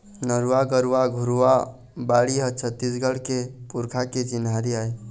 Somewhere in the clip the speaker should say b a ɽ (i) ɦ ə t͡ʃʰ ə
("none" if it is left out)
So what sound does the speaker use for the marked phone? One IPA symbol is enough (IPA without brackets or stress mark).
i